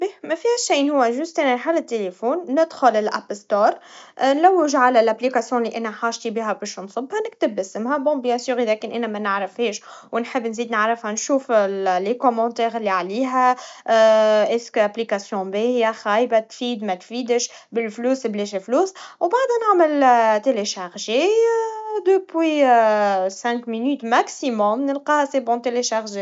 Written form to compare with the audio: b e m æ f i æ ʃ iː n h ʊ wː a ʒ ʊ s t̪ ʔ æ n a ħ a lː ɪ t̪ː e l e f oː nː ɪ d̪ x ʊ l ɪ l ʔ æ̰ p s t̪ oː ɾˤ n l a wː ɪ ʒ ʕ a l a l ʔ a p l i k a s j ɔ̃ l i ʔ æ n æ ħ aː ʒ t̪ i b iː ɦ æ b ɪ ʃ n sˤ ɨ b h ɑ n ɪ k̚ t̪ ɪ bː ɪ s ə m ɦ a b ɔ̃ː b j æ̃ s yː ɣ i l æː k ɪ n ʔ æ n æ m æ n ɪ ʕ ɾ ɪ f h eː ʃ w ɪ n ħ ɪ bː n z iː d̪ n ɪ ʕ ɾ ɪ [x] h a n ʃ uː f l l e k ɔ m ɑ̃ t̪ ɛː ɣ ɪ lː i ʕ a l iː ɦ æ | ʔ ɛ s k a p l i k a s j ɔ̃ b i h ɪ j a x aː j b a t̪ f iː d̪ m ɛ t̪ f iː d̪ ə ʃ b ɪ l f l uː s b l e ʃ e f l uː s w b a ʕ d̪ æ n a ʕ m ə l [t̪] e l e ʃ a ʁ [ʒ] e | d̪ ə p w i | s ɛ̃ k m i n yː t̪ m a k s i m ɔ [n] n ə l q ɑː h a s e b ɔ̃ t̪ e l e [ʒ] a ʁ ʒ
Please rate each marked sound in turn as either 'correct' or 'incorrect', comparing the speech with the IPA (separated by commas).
incorrect, correct, correct, incorrect, incorrect